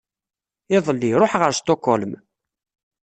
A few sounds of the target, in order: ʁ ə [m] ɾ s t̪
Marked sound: incorrect: none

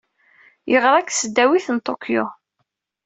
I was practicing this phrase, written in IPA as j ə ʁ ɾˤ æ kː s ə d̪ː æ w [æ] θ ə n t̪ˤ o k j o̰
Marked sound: incorrect: i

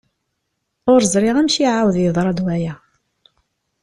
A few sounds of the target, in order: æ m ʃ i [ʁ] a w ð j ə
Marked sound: incorrect: ʕ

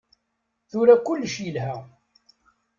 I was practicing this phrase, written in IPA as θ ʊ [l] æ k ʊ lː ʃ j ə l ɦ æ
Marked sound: incorrect: ɾ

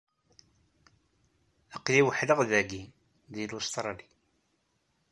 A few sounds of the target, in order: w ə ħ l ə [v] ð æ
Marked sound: incorrect: ʁ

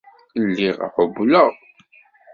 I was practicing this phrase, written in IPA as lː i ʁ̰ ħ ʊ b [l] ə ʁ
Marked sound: correct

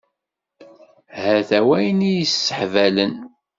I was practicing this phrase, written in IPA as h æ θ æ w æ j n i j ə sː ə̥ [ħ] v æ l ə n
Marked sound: correct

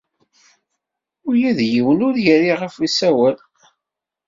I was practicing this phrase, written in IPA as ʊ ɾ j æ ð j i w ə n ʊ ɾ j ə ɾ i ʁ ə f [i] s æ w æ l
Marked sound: correct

